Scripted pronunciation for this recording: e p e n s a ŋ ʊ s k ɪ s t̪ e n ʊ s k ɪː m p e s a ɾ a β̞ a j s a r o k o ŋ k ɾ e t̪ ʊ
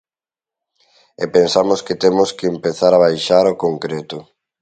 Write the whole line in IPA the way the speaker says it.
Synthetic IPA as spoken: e p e n s a m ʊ s k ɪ t̪ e m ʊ s k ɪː m p e θ a ɾ a β̞ a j ʃ a ɾ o k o ŋ k ɾ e t̪ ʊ